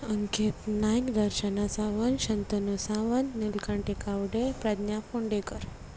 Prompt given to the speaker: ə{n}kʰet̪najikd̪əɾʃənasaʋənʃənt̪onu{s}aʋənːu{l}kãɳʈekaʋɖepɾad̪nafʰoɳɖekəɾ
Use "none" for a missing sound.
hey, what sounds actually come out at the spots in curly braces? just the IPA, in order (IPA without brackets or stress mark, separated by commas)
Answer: ŋ, s, l